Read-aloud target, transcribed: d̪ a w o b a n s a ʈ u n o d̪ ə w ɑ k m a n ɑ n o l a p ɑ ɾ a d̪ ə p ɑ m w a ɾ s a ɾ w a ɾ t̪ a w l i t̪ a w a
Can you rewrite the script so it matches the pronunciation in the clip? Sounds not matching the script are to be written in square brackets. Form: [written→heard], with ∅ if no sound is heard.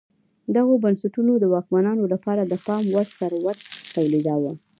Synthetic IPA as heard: d̪ a [w→ɣ] o b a n s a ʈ u n o d̪ ə w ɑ k m a n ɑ n o l a p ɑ ɾ a d̪ ə p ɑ m w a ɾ s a ɾ w a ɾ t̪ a w l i [t̪→d̪] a w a